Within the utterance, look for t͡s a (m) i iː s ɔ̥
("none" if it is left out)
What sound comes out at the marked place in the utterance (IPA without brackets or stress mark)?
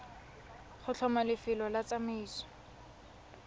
m